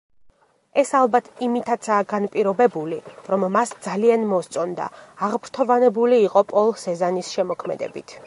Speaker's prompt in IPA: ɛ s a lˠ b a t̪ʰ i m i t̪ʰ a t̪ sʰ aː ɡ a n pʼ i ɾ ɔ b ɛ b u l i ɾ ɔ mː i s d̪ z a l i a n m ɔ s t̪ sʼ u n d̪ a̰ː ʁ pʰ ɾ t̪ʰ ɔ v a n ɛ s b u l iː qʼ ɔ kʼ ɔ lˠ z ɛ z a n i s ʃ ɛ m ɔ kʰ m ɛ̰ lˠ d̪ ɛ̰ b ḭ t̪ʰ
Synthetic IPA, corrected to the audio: ɛ s a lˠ b a t̪ʰ i m i t̪ʰ a t̪ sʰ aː ɡ a n pʼ i ɾ ɔ b ɛ b u l i ɾ ɔ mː a s d̪ z a l i a n m ɔ s t̪ sʼ ɔ n d̪ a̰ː ʁ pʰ ɾ t̪ʰ ɔ v a n ɛ b u l iː qʼ ɔ pʼ ɔ lˠ s ɛ z a n i s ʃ ɛ m ɔ kʰ m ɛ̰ d̪ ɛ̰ b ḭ t̪ʰ